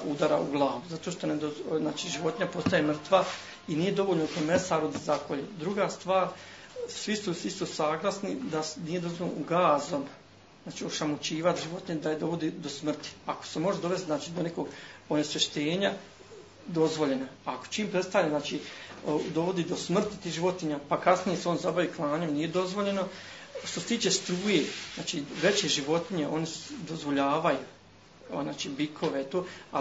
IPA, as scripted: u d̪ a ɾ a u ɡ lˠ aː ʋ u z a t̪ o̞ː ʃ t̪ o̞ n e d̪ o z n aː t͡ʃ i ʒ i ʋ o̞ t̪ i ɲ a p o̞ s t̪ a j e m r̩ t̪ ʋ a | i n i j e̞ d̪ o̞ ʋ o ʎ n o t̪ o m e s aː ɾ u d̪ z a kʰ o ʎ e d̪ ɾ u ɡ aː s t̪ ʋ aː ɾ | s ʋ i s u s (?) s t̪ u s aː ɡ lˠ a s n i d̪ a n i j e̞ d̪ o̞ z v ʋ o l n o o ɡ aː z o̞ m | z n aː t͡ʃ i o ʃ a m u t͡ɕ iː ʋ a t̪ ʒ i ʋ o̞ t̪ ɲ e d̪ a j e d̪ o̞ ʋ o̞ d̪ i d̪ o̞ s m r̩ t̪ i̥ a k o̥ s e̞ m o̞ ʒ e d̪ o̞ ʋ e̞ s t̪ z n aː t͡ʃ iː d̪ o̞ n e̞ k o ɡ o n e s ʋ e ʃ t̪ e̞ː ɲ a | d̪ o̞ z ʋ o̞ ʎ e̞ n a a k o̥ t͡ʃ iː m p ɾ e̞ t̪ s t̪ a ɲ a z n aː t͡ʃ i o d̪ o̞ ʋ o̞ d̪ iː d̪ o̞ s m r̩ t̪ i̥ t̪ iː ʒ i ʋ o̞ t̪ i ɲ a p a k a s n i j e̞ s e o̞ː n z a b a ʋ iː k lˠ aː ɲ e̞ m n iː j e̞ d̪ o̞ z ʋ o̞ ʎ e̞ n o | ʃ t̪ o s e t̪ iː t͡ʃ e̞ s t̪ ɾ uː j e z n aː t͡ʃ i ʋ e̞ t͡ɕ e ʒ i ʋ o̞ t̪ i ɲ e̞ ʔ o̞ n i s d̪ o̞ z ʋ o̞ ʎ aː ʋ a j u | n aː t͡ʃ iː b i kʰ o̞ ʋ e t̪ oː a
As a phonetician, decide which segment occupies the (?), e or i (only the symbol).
i